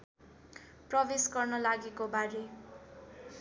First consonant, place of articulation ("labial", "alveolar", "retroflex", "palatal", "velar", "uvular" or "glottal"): labial